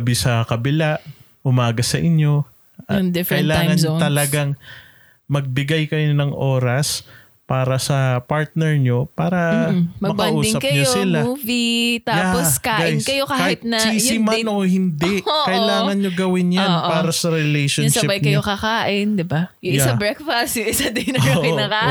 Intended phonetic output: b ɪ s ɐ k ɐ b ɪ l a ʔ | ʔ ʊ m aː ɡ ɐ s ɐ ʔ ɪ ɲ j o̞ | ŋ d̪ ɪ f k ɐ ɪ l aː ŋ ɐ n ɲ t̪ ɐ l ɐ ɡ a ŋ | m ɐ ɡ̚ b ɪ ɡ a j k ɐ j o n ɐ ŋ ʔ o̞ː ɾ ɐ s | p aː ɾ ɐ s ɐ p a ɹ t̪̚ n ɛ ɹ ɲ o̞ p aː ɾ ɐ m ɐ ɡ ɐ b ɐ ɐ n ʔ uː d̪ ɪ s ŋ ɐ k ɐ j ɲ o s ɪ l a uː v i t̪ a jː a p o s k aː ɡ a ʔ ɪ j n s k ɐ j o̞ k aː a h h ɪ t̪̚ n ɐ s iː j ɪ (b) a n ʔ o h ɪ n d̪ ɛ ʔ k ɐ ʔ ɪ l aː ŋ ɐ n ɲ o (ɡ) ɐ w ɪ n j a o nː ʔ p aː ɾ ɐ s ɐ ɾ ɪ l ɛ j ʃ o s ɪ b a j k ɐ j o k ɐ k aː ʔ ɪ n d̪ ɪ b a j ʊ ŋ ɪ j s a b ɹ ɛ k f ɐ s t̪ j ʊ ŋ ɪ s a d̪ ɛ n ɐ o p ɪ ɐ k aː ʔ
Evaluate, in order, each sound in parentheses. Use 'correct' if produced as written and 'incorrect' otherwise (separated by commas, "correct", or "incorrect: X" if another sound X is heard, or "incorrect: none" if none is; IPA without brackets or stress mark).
incorrect: m, correct